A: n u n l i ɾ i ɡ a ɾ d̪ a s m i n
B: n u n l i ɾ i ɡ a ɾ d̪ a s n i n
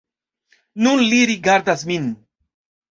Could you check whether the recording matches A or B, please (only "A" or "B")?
A